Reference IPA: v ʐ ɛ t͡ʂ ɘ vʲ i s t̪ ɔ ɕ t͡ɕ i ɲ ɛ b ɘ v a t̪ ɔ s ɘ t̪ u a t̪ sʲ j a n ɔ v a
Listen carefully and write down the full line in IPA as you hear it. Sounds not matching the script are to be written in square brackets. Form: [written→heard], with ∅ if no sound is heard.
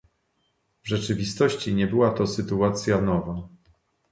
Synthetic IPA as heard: v ʐ ɛ t͡ʂ ɘ vʲ i s t̪ ɔ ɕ t͡ɕ i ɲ ɛ b ɘ [v→w] a t̪ ɔ s ɘ t̪ u a t̪ sʲ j a n ɔ v a